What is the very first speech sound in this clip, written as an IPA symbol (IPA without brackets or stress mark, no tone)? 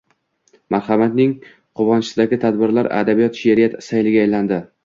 m